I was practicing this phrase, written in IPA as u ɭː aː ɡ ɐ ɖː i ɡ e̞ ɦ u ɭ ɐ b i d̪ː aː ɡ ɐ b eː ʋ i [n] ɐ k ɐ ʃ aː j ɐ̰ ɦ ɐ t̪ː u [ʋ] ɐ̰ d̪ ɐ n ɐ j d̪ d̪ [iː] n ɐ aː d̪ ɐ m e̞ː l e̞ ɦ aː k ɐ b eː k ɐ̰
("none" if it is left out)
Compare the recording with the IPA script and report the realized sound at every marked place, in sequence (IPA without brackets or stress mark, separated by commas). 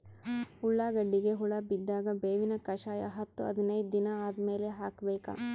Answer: n, none, i